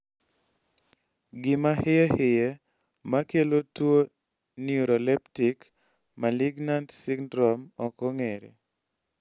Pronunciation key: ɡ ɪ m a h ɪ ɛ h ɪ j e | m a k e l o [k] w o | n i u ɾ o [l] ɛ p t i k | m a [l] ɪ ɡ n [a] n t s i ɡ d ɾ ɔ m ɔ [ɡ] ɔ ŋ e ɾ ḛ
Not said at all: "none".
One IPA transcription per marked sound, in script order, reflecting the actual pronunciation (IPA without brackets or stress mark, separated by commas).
t, l, l, a, k